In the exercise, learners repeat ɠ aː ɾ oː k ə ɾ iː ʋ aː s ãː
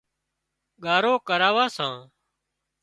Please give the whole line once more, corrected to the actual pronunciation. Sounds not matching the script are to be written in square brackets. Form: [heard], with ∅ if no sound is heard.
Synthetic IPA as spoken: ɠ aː ɾ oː k ə ɾ [aː] ʋ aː s ãː

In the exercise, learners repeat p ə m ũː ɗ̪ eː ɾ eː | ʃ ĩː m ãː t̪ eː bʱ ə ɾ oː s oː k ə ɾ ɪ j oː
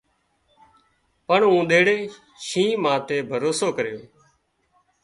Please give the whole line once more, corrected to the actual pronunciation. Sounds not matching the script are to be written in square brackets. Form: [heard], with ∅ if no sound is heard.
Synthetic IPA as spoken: p ə [ɳ] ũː ɗ̪ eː [ɽ] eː | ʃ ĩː m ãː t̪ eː bʱ ə ɾ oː s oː k ə ɾ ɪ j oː

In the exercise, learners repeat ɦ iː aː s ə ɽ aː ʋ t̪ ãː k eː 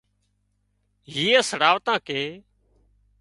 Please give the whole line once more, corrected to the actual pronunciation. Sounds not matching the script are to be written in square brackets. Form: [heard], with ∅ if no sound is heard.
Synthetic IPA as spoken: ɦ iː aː s ə ɽ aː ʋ t̪ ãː k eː

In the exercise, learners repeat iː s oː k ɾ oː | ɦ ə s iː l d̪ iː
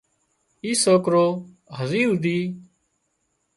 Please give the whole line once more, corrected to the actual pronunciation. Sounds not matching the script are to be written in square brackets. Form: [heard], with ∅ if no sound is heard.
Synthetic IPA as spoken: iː s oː k ɾ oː | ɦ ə [z] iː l d̪ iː

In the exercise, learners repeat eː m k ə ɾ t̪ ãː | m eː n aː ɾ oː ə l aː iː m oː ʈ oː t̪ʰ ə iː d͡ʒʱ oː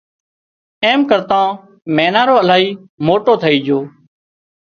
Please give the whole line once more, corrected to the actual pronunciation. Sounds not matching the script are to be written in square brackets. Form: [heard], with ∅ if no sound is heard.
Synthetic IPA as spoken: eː m k ə ɾ t̪ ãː | m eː n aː ɾ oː ə l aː iː m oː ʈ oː t̪ʰ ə iː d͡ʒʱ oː

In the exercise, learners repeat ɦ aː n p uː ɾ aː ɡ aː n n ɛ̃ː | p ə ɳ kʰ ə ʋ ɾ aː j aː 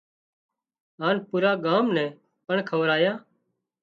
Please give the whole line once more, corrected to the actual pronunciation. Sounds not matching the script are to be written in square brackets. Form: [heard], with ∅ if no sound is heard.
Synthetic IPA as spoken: ɦ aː n p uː ɾ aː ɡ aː [m] n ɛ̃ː | p ə ɳ kʰ ə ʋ ɾ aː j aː

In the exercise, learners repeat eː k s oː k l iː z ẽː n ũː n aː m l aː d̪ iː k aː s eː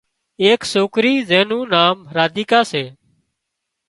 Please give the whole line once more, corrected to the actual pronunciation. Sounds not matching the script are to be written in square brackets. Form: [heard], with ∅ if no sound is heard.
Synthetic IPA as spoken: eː k s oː k [ɾ] iː z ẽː n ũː n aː m [ɾ] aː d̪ iː k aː s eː

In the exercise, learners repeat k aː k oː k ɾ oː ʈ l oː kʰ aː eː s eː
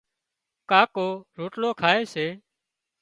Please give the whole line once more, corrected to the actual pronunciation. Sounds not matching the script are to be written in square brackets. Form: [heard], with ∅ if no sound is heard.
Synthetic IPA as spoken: k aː k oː [∅] ɾ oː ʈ l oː kʰ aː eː s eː

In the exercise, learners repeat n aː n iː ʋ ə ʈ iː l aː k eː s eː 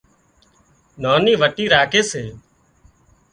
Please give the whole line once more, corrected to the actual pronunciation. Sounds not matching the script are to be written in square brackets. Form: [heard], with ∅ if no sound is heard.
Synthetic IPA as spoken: n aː n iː ʋ ə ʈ iː [ɾ] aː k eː s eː

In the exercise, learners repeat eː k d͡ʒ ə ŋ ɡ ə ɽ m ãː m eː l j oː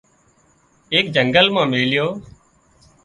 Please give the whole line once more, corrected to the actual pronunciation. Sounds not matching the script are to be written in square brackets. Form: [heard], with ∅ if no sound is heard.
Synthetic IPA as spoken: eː k d͡ʒ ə ŋ ɡ ə [l] m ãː m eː l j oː

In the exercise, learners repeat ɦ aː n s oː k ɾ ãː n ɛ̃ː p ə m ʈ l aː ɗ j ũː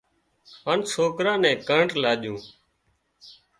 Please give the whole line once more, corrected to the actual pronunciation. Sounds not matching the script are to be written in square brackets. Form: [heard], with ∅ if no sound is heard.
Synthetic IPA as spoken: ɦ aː n s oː k ɾ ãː n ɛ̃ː [k] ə [ɳ] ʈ l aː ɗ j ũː

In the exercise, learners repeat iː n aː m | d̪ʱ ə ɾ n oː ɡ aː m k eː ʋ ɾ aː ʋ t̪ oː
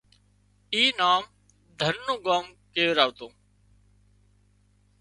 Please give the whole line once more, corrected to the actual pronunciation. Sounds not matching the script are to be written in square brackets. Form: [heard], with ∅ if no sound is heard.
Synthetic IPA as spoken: iː n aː m | d̪ʱ ə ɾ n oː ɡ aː m k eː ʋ ɾ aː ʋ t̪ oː

